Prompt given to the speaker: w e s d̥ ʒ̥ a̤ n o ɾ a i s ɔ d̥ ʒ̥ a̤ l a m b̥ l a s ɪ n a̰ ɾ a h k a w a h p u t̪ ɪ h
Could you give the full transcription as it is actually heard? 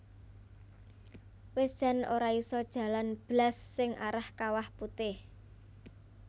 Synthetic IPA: w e s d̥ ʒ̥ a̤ n o ɾ a i s ɔ d̥ ʒ̥ a̤ l a n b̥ l a sː ɪ ŋ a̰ ɾ a h k a w a h p u t̪ ɪ h